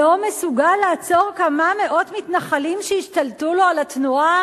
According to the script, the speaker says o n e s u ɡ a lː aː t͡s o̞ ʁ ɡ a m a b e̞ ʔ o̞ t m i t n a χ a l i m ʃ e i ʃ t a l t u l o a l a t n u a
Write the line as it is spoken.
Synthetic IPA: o m e s u ɡ a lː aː t͡s o̞ ʁ k a m a m e̞ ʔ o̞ t m i t n a χ a l i m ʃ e i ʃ t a l t u l o a l a t n u a